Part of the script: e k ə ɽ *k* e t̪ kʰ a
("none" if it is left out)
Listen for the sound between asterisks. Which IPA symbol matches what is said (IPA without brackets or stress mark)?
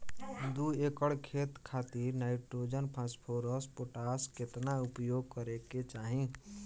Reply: kʰ